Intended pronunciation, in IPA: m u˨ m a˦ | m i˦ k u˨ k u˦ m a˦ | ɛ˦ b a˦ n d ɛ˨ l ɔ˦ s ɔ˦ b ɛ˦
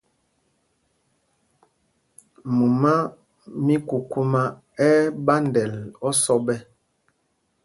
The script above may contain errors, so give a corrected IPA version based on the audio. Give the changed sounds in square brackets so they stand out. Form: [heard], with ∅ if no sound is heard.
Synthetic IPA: m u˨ m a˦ | m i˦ k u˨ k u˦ m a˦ | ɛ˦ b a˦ n d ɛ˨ l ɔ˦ s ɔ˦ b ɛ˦